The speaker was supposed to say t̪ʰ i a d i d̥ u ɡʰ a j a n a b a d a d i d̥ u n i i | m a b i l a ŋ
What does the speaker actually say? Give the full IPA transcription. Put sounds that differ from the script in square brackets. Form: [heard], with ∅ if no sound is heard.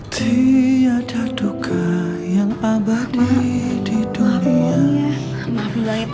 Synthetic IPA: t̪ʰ i a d [a] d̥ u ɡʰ a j a [ŋ] a b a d [i] d i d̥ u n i [a] | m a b i l a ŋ